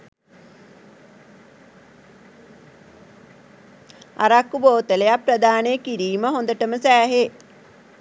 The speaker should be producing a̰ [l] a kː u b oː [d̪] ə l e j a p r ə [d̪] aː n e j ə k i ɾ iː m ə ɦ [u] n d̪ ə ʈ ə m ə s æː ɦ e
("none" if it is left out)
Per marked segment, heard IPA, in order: ɾ, t̪, d̪, o

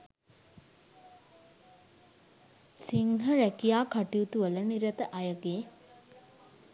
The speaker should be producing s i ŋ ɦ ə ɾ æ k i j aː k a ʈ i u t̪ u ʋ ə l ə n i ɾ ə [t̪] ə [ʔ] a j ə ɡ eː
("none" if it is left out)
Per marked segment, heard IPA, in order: t̪, ʔ

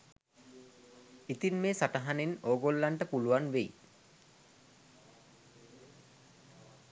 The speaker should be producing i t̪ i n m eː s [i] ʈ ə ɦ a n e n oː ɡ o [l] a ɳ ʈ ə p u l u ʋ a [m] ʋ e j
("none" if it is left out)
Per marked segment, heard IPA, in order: a, lː, n

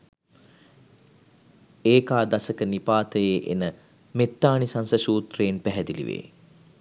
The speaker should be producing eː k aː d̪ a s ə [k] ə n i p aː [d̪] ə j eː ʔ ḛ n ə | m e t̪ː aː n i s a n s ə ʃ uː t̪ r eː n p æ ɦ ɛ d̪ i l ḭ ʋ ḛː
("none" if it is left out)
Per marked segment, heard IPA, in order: k, t̪

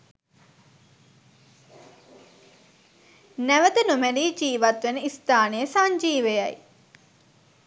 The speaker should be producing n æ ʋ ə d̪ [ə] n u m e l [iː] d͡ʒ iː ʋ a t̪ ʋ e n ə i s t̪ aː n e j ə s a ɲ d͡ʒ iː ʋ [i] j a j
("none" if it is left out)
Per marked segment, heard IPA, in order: ə, iː, e

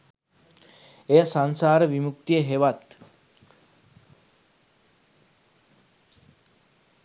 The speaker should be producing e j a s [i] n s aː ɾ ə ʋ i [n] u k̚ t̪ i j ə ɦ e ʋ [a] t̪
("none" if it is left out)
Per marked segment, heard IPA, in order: a, m, a

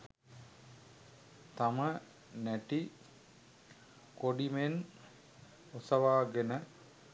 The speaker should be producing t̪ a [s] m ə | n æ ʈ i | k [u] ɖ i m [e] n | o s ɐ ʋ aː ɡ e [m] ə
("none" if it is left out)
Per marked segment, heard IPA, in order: none, o, e, n

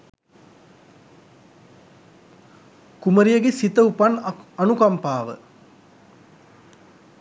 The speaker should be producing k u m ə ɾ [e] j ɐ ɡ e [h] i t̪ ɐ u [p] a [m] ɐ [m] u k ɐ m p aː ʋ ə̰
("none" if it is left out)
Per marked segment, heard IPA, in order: i, s, p, n, n

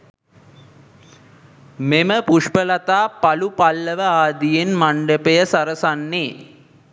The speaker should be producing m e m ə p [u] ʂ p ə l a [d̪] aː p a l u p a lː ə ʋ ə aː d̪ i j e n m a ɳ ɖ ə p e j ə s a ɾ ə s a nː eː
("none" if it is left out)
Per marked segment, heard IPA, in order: u, t̪

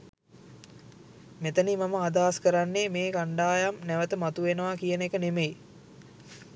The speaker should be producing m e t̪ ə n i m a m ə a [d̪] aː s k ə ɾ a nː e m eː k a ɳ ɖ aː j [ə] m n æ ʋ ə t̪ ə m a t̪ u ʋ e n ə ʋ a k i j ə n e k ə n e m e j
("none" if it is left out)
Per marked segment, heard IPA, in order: d̪, a

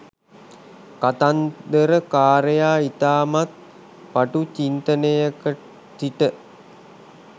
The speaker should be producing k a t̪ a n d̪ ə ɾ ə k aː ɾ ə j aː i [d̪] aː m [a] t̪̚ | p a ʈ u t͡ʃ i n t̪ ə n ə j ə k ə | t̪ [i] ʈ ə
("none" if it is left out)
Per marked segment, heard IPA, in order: t̪, a, i

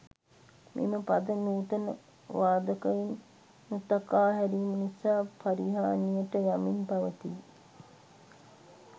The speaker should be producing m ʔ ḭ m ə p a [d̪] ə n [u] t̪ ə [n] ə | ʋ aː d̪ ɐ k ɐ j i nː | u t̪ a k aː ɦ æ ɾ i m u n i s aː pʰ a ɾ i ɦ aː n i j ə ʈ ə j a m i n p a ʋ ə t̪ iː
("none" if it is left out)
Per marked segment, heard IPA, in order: d̪, uː, n

